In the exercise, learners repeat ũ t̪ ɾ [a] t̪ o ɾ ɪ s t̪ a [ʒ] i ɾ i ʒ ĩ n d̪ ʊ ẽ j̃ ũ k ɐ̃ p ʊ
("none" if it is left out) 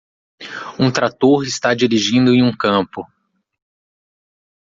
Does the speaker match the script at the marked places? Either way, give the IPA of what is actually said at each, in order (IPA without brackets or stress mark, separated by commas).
a, d͡ʒ